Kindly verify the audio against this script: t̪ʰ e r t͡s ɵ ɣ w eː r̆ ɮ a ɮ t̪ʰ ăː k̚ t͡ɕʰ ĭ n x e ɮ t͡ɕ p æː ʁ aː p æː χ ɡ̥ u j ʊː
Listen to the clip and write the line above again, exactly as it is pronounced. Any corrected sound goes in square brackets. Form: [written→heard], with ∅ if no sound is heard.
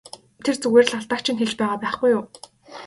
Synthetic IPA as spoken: t̪ʰ e r t͡s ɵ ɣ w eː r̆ ɮ a ɮ [t̪ʰ→t̪] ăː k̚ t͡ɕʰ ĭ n x e ɮ t͡ɕ p æː ʁ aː p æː χ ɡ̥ u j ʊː